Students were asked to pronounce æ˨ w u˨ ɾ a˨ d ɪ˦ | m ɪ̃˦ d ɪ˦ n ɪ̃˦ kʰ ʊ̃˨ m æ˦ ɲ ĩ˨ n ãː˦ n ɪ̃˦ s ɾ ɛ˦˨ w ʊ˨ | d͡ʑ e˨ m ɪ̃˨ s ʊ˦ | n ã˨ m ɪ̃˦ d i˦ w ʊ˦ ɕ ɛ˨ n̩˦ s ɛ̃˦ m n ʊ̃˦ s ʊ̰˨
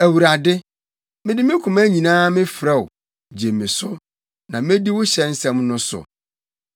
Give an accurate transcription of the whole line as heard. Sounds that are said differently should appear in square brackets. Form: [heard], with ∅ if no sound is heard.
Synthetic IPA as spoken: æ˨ w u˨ ɾ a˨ d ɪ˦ | m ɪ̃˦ d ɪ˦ [m] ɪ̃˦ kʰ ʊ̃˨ m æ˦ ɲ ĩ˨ n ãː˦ [m] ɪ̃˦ [f] ɾ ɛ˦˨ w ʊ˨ | d͡ʑ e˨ m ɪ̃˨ s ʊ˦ | n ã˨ m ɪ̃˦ d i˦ w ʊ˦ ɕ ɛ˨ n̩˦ s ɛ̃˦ m n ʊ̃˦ s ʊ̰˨